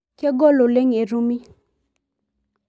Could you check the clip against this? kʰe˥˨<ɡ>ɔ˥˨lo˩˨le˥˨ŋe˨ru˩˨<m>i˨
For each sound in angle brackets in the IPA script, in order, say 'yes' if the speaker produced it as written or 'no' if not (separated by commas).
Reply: yes, yes